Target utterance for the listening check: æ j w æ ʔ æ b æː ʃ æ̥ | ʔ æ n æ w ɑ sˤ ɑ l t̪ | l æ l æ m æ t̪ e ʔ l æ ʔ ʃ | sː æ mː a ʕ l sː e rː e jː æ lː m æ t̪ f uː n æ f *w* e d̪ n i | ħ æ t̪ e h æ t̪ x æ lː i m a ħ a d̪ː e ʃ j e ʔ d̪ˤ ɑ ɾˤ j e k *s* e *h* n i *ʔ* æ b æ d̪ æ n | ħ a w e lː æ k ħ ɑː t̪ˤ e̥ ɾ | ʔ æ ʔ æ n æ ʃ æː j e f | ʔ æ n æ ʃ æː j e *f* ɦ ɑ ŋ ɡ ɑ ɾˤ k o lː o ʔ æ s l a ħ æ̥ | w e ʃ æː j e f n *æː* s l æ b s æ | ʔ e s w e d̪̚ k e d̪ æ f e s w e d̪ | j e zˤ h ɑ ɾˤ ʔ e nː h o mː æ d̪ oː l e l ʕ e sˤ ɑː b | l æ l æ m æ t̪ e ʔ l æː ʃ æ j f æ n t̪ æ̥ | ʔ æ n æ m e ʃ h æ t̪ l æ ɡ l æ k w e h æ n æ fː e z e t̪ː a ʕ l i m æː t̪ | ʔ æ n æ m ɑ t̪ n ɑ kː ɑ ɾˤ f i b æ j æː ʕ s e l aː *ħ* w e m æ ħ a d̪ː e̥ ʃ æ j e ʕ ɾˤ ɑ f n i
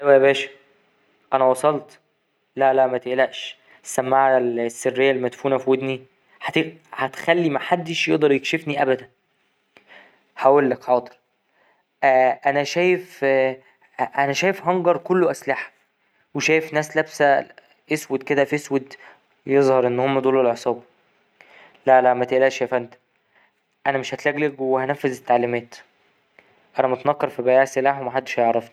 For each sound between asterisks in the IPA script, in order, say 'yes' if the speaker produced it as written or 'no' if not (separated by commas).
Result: yes, no, no, yes, yes, yes, yes